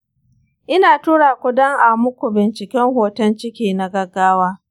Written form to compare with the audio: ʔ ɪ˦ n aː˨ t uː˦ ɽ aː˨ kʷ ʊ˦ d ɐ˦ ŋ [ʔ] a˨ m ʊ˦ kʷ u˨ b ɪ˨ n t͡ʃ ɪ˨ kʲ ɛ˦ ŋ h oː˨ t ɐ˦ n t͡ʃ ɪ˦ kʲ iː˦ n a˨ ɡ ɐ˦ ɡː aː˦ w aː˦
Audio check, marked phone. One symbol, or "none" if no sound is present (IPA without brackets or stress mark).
ʔ